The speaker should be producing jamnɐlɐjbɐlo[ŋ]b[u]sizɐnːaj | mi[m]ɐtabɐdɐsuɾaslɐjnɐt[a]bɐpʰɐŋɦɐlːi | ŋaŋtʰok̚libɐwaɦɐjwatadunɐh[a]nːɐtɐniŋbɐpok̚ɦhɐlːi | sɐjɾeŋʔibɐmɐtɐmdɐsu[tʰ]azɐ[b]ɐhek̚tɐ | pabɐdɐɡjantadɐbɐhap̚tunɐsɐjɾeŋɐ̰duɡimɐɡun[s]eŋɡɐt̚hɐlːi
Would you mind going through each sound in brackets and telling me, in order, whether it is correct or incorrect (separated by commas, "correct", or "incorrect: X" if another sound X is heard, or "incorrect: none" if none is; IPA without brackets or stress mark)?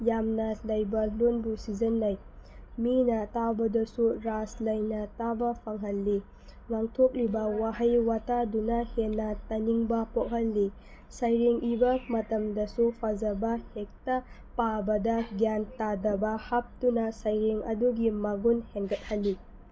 incorrect: n, correct, incorrect: n, correct, incorrect: e, incorrect: pʰ, correct, incorrect: h